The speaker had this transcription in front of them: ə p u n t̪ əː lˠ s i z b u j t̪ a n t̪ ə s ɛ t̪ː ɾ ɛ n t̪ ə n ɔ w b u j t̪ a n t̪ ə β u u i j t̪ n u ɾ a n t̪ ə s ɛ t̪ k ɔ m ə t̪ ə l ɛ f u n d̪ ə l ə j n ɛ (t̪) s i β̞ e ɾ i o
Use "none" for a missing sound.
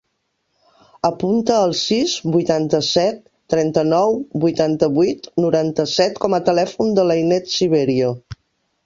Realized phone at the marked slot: t̪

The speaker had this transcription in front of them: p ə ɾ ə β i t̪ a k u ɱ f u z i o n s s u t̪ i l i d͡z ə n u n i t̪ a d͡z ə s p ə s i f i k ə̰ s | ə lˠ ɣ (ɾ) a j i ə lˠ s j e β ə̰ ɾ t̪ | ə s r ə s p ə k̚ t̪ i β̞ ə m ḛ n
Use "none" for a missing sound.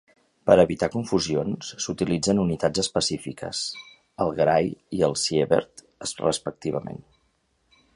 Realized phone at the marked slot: ɾ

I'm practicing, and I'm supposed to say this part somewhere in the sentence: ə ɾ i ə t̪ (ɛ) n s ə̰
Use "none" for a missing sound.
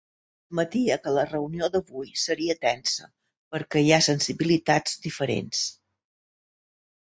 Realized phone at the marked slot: ɛ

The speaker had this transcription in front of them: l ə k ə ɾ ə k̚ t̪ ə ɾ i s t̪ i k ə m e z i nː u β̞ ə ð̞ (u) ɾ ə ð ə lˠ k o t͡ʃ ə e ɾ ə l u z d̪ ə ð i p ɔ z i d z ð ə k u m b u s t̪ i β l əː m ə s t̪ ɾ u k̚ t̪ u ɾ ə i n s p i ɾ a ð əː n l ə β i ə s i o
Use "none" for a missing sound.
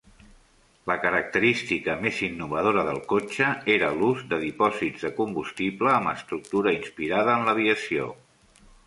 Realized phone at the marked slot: o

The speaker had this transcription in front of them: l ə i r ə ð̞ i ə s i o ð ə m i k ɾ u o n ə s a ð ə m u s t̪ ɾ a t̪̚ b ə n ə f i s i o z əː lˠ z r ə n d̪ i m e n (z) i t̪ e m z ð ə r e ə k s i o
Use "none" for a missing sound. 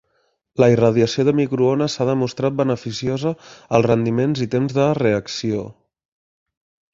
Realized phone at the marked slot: z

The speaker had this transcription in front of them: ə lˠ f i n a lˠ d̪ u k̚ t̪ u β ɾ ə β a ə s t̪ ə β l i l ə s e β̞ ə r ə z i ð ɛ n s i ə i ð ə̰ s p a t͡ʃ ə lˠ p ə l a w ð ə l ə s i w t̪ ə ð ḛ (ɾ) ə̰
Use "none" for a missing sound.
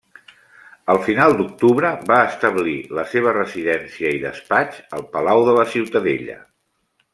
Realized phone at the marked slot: ʎ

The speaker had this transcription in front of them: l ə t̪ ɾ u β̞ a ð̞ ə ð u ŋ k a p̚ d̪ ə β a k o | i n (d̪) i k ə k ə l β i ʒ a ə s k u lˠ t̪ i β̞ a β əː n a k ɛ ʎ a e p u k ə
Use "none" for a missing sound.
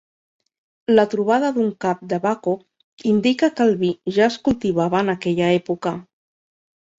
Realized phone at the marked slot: d̪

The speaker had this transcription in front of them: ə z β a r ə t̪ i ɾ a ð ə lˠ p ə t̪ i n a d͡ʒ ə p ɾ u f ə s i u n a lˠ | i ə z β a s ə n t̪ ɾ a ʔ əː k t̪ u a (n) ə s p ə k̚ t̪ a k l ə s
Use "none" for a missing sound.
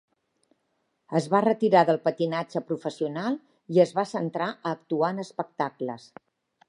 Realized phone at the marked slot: n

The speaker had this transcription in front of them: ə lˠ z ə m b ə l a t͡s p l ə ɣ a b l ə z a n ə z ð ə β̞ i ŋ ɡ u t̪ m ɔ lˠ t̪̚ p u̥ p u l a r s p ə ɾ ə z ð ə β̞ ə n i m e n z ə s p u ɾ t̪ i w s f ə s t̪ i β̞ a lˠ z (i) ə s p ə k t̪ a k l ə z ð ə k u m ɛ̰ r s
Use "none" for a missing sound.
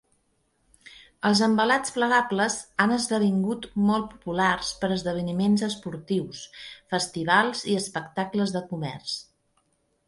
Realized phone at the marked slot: i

